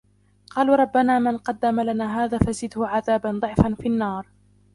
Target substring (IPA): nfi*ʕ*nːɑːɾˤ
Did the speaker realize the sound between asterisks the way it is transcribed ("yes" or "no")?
no